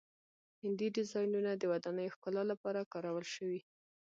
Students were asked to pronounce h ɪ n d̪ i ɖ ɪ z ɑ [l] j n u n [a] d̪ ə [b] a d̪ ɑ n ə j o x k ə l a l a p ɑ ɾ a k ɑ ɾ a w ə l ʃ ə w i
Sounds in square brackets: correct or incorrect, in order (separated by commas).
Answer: incorrect, correct, incorrect